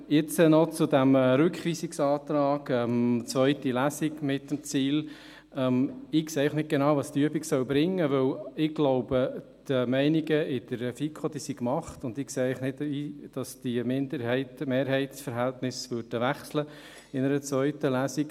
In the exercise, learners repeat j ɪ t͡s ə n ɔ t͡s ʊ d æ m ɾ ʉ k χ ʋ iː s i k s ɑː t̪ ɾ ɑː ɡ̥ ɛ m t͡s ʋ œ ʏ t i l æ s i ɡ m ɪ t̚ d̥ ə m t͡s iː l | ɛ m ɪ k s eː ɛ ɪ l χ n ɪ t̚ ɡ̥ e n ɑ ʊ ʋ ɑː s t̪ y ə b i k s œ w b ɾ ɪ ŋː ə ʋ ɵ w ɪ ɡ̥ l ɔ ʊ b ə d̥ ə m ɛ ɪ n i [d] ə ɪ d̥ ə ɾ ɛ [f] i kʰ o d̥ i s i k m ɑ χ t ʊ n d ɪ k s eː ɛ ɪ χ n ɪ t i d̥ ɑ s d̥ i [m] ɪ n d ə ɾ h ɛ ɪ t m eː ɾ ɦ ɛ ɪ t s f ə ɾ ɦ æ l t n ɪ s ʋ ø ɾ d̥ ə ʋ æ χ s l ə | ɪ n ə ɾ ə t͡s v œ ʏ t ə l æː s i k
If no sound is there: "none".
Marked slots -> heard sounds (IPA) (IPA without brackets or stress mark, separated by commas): ɡ, f, m